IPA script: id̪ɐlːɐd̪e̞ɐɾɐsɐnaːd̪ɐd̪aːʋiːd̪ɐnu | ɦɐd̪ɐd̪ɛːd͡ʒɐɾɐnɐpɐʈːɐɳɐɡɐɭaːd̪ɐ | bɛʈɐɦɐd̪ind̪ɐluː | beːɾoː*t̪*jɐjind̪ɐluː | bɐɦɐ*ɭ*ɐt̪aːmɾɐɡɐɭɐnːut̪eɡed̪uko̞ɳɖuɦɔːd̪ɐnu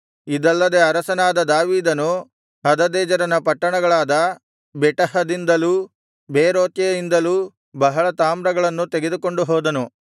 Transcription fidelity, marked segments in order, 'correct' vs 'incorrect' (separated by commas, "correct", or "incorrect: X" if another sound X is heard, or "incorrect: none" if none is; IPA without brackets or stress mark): correct, correct